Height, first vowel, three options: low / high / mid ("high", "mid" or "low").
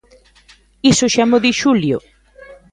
high